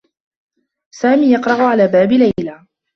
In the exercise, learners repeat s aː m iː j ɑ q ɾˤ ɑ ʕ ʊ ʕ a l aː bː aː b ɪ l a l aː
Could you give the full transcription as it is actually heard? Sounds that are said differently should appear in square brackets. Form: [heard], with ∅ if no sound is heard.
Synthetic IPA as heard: s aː m iː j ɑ q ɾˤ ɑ ʕ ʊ ʕ a l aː [b] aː b ɪ l a l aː